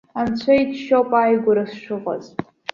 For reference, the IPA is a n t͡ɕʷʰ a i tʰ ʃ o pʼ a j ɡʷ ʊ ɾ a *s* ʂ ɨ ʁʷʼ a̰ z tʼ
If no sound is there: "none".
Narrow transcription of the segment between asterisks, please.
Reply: s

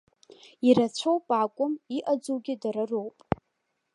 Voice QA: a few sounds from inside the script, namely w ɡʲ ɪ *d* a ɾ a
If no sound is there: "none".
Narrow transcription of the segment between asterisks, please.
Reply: d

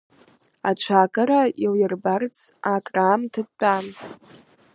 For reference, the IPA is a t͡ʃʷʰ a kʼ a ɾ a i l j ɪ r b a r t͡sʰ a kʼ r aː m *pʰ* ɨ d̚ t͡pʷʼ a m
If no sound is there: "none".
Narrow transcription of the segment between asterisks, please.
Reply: tʰ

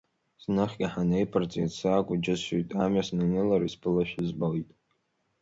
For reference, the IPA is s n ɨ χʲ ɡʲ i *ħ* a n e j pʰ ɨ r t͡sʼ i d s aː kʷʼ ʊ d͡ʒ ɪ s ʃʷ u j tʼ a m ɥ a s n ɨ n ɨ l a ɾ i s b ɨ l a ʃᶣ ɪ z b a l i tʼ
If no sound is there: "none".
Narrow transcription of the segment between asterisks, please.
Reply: ħ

